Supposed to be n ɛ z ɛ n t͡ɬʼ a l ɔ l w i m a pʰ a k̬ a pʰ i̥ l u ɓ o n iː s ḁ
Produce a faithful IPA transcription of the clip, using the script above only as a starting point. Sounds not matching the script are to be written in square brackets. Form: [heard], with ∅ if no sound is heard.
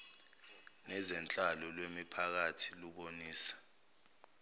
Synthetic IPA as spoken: n ɛ z ɛ n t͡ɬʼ a l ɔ l w [e] m [i] pʰ a k̬ a [tʰ] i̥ l u ɓ o n iː s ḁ

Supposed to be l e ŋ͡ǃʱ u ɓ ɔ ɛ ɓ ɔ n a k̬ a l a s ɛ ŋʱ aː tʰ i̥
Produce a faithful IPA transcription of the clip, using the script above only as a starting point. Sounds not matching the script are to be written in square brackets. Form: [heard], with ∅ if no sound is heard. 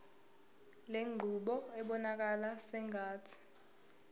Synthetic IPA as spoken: l e ŋ͡ǃʱ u ɓ ɔ ɛ ɓ ɔ n a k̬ a l a s ɛ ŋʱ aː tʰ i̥

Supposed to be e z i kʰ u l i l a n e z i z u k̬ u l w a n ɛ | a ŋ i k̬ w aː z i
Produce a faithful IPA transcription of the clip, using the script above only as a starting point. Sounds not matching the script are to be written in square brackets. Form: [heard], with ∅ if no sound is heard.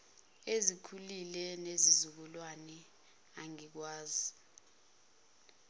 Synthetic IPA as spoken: e z i kʰ u l i l [ɛ] n e z i z u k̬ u l w a n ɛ | a ŋ i k̬ w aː z i

